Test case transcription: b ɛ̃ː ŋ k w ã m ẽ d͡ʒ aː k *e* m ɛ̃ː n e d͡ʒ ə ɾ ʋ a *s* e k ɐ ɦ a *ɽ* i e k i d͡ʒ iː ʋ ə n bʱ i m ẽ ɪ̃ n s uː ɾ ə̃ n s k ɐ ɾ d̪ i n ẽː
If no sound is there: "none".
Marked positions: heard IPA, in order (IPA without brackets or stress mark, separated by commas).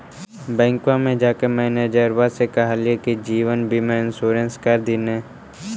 e, s, l